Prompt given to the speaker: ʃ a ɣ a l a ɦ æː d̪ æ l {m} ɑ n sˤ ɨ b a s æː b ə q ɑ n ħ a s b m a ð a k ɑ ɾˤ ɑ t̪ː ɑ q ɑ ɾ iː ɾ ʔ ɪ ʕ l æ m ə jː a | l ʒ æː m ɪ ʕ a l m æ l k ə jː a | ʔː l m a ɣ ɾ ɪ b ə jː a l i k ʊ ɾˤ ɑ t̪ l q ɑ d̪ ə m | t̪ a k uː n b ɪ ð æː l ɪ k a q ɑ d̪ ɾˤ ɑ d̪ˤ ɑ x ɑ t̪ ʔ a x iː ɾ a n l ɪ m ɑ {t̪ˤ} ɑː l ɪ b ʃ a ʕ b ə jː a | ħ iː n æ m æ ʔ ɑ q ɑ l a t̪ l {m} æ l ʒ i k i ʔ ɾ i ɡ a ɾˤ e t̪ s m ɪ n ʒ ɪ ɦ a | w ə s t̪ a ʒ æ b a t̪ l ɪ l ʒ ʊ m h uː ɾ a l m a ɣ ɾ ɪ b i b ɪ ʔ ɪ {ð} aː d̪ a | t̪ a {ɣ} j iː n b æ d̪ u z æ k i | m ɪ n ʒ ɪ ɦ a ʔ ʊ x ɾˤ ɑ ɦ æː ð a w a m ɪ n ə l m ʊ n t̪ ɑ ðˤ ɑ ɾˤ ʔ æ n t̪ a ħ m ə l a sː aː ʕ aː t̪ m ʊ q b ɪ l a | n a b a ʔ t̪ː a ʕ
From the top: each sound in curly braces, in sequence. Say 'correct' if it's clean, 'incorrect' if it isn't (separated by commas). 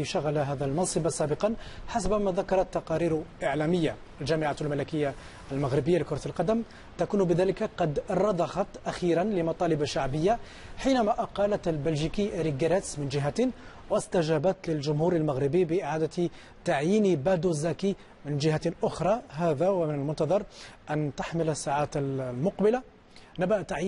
correct, correct, incorrect, incorrect, incorrect